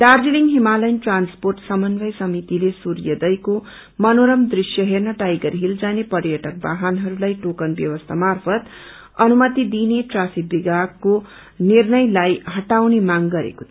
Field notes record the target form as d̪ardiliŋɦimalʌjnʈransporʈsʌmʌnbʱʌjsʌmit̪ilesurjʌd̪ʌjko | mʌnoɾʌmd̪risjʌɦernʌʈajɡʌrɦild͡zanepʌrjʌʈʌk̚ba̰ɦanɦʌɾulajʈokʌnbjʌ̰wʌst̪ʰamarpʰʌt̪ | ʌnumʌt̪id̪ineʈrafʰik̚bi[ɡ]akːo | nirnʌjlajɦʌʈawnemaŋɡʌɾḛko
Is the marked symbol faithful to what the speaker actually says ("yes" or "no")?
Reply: yes